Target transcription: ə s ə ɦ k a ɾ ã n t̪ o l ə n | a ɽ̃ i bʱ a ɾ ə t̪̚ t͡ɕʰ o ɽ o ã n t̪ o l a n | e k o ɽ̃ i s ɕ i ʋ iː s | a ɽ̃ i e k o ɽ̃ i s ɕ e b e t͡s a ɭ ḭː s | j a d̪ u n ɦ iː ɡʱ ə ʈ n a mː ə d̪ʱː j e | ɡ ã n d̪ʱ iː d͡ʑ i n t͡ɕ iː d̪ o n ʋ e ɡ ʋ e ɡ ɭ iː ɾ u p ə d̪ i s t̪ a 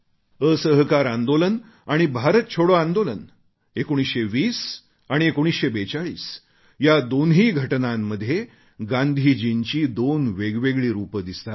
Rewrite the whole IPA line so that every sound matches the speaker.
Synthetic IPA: ə s ə ɦ k a ɾ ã n d̪ o l ə n | a ɽ̃ i bʱ a ɾ ə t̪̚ t͡ɕʰ o ɽ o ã n d̪ o l ə n | e k o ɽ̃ i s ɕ e ʋ iː s | a ɽ̃ i e k o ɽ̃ i s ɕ e b e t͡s a ɭ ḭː s | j a d̪ o n ɦ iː ɡʱ ə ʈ n a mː ə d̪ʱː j e | ɡ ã n d̪ʱ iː d͡ʑ i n t͡ɕ iː d̪ o n ʋ e ɡ ʋ e ɡ ɭ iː ɾ u p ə d̪ i s t̪ a

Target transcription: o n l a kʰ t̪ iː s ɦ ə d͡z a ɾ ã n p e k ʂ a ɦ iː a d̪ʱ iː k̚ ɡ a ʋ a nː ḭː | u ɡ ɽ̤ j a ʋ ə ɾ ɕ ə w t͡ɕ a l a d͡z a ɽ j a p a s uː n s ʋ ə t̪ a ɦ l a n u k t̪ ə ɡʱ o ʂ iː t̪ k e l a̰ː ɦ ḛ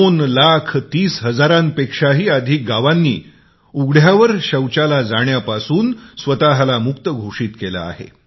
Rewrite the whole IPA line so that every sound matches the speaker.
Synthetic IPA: o n l a kʰ t̪ iː s ɦ ə d͡z a ɾ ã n p e k ʂ a ɦ iː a d̪ʱ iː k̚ ɡ a ʋ a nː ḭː | u ɡ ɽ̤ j a ʋ ə ɾ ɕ ə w t͡ɕ a l a d͡z a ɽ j a p a s uː n s ʋ ə t̪ a ɦ l a m u k t̪ ə ɡʱ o ʂ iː t̪ k e l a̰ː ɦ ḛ

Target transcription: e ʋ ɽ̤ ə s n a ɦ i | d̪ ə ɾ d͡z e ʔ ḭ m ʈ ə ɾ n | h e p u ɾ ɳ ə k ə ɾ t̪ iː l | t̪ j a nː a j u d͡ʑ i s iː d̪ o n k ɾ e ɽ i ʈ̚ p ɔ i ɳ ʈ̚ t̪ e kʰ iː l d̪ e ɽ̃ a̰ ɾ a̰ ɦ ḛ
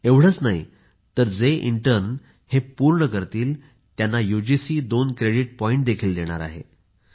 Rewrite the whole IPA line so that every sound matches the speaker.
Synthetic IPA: e ʋ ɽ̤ ə t͡s n a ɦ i | t̪ ə ɾ d͡z e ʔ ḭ ɳ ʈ ə ɾ n | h e p u ɾ ɳ ə k ə ɾ t̪ iː l | t̪ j a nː a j u d͡ʑ i s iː d̪ o n k ɾ e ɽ i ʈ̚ p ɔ i ɳ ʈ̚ d̪ e kʰ iː l d̪ e ɽ̃ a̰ ɾ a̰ ɦ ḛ

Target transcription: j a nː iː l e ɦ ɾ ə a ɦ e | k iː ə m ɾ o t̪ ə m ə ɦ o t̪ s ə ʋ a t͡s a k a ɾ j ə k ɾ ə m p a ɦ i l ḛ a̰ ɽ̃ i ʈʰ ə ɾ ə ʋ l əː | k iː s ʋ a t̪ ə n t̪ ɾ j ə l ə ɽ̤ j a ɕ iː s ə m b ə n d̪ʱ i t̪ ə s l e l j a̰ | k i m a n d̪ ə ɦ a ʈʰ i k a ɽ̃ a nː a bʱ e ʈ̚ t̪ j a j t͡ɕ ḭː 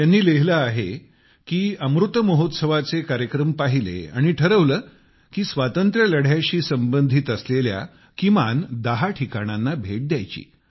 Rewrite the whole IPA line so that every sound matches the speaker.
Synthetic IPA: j a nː iː l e ɦ l ə a ɦ e | k iː ə m ɾ u t̪ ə m ə ɦ o t̪ s ə ʋ a t͡s e k a ɾ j ə k ɾ ə m p a ɦ i l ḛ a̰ ɽ̃ i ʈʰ ə ɾ ə ʋ l əː | k iː s ʋ a t̪ ə n t̪ ɾ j ə l ə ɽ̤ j a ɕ iː s ə m b ə n d̪ʱ i t̪ ə s l e l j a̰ | k i m a n d̪ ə ɦ a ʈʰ i k a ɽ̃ a nː a bʱ e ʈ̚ d̪ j a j t͡ɕ ḭː

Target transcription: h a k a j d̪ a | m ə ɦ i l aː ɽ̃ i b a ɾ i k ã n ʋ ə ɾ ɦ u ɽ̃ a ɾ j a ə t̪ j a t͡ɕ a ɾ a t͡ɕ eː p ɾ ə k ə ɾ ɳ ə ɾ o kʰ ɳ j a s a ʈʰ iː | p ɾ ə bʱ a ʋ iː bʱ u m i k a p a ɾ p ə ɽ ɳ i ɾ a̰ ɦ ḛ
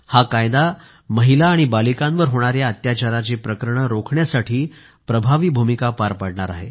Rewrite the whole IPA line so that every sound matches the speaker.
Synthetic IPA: h a k a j d̪ a | m ə ɦ i l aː ɽ̃ i b a l i k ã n ʋ ə ɾ ɦ o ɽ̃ a ɾ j a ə t̪ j a t͡ɕ a ɾ a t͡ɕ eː p ɾ ə k ə ɾ ɳ ə ɾ o kʰ ɳ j a s a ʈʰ iː | p ɾ ə bʱ a ʋ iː bʱ u m i k a p a ɾ p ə ɽ ɳ a ɾ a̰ ɦ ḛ

